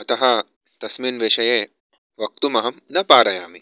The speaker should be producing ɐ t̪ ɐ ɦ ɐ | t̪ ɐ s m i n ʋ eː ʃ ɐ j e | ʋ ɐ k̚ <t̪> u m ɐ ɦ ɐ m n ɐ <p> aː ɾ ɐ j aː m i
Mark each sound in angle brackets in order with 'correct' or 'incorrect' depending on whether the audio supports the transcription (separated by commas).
correct, correct